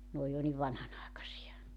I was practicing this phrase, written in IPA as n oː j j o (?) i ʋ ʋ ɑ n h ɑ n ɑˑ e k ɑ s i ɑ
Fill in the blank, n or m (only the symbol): n